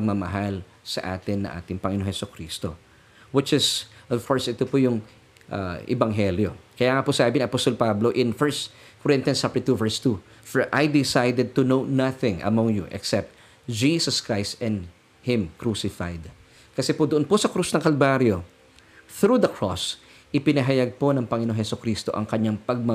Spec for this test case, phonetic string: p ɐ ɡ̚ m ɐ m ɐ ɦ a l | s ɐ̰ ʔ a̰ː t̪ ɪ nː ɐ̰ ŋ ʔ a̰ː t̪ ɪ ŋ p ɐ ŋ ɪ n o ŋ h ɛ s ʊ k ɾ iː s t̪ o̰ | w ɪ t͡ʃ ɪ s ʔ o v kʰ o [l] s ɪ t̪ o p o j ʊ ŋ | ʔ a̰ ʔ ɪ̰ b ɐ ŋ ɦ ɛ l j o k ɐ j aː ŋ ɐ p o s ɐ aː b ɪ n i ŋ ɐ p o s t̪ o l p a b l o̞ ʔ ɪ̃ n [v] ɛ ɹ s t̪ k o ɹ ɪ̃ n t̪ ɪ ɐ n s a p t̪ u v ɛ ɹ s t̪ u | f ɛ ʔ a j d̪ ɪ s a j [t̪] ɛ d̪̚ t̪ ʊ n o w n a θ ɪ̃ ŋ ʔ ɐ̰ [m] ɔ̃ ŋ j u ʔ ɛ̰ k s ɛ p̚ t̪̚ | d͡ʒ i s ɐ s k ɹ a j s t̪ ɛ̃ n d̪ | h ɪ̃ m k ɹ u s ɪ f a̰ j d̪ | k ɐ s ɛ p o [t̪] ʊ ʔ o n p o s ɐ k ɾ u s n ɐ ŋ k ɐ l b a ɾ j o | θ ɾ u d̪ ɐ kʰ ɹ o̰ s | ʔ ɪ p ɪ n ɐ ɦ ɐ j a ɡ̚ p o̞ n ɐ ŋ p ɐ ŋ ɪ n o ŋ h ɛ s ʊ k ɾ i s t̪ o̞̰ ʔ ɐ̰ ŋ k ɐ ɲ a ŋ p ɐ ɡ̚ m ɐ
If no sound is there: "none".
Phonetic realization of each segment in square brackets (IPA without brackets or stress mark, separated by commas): ɹ, f, d̪, m, d̪